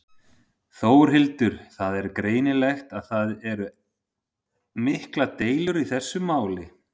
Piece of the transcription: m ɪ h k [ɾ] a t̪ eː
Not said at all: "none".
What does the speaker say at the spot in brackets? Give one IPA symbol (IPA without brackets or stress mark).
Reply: l